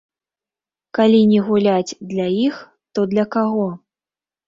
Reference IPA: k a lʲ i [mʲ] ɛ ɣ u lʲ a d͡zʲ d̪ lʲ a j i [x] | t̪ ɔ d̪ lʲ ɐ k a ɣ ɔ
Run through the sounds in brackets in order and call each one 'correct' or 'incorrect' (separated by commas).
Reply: incorrect, correct